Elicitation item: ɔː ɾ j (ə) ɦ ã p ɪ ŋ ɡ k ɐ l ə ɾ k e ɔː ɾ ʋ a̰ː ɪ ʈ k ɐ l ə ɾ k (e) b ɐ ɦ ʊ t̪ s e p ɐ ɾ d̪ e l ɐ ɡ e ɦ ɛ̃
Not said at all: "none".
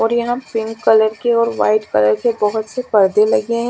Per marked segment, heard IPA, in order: ɐ, e

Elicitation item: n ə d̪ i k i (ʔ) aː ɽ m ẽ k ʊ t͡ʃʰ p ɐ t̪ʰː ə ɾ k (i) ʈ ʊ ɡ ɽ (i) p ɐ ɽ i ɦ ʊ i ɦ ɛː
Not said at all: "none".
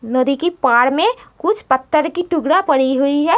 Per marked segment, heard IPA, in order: p, i, a

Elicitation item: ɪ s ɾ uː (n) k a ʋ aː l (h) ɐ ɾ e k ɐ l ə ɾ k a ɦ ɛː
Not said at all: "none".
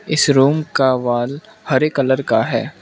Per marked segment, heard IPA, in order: m, h

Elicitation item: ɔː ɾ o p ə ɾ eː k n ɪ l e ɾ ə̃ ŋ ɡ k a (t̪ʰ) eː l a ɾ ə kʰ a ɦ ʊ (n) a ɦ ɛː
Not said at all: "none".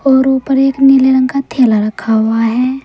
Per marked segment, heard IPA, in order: t̪ʰ, none

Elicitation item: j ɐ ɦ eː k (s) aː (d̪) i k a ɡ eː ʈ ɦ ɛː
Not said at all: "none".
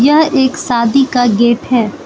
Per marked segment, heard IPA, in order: s, d̪

